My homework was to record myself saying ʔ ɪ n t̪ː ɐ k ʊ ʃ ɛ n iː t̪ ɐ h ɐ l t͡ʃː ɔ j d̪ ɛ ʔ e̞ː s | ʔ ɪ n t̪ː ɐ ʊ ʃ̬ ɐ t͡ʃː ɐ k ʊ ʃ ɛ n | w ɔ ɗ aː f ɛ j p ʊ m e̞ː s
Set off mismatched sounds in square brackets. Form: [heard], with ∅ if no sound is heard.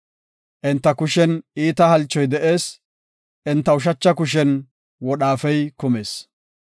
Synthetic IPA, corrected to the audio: ʔ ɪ n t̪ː ɐ k ʊ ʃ ɛ n iː t̪ ɐ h ɐ l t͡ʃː ɔ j d̪ ɛ ʔ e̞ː s | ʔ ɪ n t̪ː ɐ ʊ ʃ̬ ɐ t͡ʃː ɐ k ʊ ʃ ɛ n | w ɔ ɗ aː f ɛ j [k] ʊ m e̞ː s